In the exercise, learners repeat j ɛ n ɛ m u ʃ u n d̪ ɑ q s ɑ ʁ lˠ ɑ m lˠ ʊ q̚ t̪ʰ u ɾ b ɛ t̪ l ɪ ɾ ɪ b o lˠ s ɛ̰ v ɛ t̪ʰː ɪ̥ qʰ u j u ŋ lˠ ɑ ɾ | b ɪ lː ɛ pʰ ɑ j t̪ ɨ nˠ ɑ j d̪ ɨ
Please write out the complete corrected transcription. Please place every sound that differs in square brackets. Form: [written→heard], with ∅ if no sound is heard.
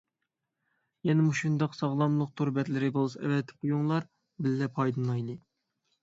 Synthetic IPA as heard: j ɛ n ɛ m u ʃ u n d̪ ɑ q s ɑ ʁ lˠ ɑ m lˠ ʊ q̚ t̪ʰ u ɾ b ɛ t̪ l ɪ ɾ ɪ b o lˠ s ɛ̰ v ɛ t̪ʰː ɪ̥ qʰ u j u ŋ lˠ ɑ ɾ | b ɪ lː ɛ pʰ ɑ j [t̪→d̪] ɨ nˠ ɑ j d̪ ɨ